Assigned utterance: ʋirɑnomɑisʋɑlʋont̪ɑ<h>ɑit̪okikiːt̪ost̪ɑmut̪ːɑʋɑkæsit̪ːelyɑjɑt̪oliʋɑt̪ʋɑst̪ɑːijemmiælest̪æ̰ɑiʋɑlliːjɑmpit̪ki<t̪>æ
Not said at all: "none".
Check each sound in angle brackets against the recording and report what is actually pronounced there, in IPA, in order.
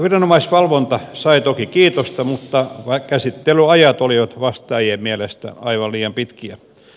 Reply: s, none

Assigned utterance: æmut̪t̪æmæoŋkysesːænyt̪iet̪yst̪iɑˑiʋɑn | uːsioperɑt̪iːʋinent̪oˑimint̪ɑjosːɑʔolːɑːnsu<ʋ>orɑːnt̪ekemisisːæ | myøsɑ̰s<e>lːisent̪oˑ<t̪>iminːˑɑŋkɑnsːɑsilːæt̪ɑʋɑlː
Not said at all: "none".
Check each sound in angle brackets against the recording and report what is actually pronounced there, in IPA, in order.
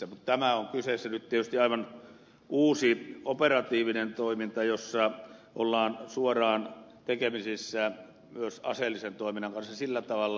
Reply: none, e, none

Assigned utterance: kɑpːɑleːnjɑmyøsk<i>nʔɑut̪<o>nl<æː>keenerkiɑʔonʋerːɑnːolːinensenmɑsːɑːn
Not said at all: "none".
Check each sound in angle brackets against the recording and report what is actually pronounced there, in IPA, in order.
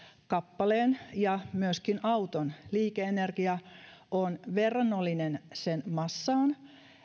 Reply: i, o, iː

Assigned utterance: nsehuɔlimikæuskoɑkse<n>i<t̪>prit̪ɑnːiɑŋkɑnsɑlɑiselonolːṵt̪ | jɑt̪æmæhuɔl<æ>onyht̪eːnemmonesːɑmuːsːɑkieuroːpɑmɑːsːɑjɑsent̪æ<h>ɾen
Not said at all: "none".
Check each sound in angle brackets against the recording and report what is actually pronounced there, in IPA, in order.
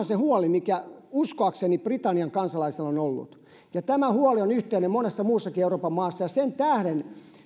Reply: n, none, i, h

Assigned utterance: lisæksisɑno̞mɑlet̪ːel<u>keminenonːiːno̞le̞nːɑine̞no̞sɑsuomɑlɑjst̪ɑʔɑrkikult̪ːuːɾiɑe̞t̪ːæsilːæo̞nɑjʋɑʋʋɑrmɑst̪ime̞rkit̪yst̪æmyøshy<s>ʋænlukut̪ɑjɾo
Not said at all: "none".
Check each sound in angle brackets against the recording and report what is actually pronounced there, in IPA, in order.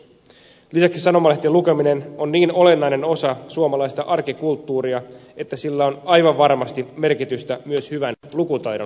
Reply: u, none

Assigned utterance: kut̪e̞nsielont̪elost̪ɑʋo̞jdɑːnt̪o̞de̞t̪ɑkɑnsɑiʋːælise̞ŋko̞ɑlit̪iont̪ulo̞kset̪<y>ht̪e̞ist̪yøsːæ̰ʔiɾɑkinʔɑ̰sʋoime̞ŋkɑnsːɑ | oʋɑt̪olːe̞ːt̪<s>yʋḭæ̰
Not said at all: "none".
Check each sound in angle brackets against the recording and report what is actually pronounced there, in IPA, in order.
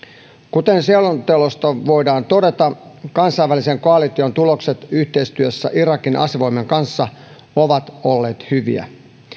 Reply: y, h

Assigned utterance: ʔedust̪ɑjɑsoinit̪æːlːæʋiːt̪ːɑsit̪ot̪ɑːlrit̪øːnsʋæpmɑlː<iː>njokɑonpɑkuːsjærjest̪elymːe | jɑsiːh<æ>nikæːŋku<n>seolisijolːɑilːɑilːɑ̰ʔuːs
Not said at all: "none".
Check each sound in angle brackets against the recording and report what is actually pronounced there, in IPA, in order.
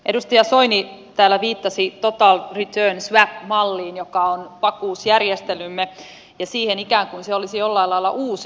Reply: iː, e, n

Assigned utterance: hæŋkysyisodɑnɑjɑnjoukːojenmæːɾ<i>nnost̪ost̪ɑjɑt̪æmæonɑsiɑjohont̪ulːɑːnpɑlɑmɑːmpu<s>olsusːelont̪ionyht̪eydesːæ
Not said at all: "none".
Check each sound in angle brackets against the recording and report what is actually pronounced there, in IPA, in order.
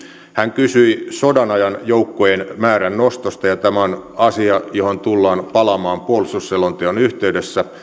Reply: æ, none

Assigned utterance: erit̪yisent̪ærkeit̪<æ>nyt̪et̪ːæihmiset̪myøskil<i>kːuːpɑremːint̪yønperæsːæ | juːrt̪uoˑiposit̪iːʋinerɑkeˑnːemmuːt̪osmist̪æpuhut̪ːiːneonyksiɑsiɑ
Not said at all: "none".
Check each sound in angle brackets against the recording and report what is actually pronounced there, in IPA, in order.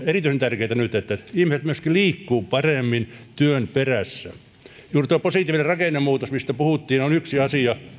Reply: æ, iː

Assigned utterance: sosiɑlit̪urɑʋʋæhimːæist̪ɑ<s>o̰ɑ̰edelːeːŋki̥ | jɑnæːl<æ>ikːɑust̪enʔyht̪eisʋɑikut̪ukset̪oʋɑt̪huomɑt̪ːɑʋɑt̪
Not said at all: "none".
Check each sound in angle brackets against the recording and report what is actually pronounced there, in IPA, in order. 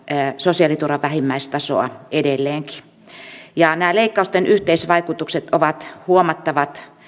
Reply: s, e

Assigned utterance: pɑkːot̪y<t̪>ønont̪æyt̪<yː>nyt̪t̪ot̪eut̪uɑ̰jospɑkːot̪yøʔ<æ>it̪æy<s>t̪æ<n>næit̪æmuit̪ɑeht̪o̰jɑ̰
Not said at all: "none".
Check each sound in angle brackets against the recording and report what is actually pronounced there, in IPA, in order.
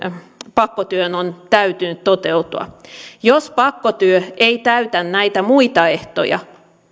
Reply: none, y, e, none, n

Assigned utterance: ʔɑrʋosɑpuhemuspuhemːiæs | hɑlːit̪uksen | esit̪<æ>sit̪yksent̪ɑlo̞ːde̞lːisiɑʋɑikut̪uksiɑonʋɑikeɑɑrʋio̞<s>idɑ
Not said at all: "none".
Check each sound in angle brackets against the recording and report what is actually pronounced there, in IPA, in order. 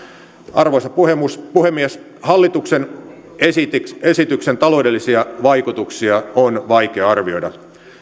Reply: e, none

